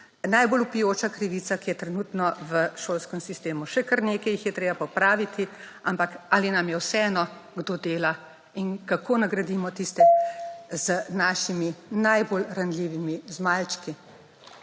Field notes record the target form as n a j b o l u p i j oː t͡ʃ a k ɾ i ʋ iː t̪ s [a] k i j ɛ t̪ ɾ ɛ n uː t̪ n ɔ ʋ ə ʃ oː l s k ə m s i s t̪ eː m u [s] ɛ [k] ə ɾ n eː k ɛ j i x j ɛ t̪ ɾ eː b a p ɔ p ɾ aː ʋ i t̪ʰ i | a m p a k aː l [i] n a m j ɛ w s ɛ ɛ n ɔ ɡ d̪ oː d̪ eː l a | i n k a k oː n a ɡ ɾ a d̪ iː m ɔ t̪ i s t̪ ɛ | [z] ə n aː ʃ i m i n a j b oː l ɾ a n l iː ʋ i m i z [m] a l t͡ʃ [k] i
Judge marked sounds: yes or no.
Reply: yes, no, yes, yes, yes, yes, yes

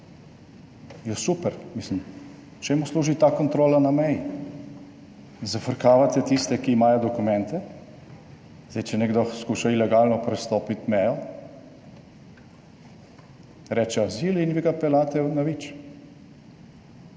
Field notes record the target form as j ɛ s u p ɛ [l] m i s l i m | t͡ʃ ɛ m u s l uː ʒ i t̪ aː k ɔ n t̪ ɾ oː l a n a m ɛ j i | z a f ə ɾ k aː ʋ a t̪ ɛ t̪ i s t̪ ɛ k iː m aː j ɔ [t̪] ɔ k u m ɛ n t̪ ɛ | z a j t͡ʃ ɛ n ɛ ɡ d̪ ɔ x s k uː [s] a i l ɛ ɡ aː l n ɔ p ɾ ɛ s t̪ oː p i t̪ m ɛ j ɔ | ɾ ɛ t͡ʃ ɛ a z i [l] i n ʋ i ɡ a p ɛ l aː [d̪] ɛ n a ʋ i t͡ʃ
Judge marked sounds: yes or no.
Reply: no, no, no, yes, no

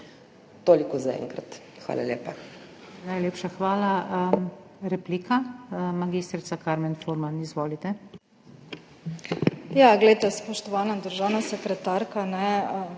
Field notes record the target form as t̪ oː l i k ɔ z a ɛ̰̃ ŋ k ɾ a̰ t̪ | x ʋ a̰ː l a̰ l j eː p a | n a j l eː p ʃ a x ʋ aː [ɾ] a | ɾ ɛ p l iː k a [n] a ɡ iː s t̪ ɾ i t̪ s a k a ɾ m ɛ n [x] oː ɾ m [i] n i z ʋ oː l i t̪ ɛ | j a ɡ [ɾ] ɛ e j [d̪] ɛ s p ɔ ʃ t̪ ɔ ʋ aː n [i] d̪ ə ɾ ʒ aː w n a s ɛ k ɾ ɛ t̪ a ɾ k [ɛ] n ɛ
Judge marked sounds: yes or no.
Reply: no, no, no, no, no, no, no, no

